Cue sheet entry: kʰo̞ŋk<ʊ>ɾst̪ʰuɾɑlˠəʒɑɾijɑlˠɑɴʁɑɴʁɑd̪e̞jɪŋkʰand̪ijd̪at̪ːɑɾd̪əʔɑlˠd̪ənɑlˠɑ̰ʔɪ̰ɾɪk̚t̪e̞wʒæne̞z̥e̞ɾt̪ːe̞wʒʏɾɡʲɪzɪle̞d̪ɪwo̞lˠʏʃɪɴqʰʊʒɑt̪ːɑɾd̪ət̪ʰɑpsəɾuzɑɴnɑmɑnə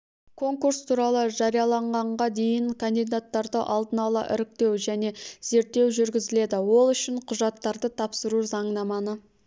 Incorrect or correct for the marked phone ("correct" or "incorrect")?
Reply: incorrect